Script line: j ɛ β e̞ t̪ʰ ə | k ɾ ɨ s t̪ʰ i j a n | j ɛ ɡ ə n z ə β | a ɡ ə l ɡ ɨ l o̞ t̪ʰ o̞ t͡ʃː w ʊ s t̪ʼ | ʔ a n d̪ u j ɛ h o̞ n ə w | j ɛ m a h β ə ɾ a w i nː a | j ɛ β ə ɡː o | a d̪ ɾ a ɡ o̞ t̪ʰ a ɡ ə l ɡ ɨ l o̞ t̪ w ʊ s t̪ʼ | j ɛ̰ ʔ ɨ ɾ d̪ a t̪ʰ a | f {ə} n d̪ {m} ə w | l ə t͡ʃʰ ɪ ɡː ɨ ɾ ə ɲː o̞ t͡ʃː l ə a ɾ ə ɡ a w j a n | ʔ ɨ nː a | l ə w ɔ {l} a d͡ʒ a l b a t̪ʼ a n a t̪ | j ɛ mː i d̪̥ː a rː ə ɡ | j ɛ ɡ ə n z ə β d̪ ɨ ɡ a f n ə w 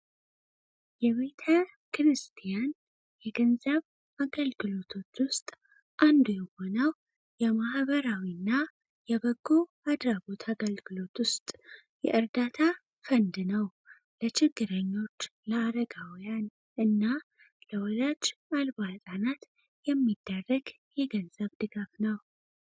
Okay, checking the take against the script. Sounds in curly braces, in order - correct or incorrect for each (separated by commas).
correct, incorrect, correct